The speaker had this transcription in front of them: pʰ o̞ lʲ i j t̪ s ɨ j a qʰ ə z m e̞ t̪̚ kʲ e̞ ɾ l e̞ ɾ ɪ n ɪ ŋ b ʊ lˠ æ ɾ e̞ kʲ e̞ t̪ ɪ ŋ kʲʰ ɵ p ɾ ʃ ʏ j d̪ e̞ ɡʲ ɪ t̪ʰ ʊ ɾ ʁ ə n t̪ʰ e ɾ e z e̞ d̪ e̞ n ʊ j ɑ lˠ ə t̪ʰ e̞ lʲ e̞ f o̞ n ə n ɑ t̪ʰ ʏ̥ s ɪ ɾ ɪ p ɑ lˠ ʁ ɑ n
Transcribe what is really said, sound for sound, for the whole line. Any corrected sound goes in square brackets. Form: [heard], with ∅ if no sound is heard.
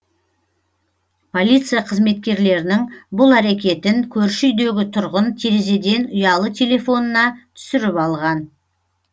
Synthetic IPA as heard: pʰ o̞ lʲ i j t̪ s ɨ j a qʰ ə z m e̞ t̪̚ kʲ e̞ ɾ l e̞ ɾ ɪ n ɪ ŋ b ʊ lˠ æ ɾ e̞ kʲ e̞ t̪ ɪ ŋ kʲʰ ɵ [∅] ɾ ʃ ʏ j d̪ e̞ ɡʲ ɪ t̪ʰ ʊ ɾ ʁ ə n t̪ʰ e ɾ e z e̞ d̪ e̞ n ʊ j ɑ lˠ ə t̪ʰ e̞ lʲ e̞ f o̞ n ə n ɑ t̪ʰ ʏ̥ s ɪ ɾ ɪ p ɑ lˠ ʁ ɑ n